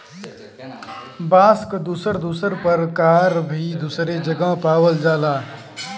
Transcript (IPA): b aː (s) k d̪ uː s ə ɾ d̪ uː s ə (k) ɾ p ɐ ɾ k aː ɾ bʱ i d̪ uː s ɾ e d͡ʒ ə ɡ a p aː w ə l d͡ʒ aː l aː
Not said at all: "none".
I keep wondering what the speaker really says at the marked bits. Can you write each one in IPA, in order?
s, none

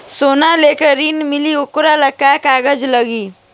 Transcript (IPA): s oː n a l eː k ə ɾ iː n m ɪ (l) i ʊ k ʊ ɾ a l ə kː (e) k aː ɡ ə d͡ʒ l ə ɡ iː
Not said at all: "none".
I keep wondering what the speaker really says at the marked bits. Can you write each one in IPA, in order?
l, a

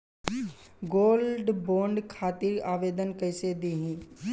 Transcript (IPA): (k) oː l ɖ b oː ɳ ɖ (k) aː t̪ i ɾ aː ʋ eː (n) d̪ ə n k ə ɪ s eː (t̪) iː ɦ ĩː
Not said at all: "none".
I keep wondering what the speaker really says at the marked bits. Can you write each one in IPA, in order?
ɡ, kʰ, none, d̪

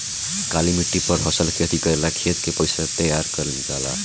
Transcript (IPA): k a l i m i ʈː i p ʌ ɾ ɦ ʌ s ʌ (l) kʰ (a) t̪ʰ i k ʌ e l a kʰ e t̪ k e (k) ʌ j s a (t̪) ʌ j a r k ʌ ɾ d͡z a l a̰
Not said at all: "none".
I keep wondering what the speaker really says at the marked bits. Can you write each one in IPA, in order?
l, e, p, t̪

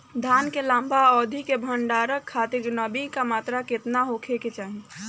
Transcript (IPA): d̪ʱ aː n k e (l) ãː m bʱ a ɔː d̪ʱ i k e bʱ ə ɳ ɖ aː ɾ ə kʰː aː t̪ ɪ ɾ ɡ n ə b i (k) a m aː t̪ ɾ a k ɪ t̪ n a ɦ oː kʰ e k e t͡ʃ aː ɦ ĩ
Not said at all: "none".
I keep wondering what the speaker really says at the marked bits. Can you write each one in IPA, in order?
l, k

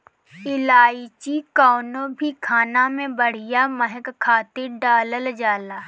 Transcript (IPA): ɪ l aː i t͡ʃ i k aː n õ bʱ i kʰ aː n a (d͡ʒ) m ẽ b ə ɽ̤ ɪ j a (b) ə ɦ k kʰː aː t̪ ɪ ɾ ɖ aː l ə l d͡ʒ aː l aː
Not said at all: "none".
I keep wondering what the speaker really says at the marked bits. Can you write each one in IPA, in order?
none, m

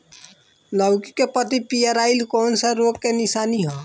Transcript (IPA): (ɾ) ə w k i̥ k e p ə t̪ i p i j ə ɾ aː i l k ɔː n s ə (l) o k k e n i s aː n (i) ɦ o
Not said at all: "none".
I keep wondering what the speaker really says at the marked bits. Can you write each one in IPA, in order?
l, ɾ, i

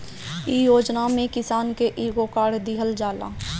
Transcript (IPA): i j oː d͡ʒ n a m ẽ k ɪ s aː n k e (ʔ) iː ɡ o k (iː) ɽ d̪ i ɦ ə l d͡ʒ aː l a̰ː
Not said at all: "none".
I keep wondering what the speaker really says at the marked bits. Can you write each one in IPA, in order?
ʔ, aː

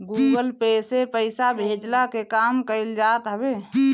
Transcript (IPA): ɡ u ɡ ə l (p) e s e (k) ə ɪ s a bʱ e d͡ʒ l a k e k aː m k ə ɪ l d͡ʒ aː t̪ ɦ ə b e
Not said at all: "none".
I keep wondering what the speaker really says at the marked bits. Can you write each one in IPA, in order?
p, p

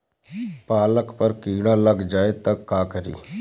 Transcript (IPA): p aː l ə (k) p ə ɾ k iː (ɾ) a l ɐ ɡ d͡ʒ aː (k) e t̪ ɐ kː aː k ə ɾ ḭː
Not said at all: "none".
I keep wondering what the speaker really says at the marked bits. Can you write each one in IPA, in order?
k, ɽ, none

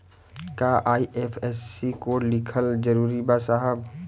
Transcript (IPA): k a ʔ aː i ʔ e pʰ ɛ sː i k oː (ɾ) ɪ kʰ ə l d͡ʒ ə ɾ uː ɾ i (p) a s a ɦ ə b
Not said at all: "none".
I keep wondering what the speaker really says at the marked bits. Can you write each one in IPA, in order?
l, b

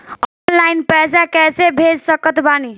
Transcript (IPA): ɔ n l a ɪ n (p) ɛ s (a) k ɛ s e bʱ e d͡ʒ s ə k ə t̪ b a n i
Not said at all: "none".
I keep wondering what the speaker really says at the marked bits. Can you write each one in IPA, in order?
p, a

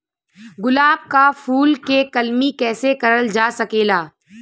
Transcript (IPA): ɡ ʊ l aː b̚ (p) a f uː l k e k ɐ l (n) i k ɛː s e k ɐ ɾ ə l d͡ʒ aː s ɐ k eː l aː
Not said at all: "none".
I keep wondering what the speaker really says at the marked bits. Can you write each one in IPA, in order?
k, m

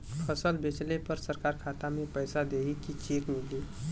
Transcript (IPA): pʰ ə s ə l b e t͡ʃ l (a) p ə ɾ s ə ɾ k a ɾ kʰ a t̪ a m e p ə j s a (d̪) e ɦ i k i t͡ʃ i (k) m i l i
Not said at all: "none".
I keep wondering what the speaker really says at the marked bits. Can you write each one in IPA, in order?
e, d̪, k

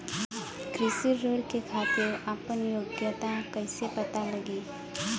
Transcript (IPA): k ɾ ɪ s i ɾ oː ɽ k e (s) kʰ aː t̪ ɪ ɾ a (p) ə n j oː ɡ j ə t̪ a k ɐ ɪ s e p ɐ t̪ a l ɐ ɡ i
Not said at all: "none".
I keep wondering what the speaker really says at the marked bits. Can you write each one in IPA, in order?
none, p

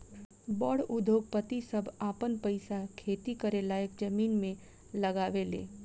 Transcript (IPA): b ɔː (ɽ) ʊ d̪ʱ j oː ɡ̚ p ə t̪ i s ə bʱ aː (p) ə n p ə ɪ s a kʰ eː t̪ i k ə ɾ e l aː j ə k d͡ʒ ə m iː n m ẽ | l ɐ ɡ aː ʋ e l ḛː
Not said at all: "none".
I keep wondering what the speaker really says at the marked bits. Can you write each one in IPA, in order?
ɽ, p

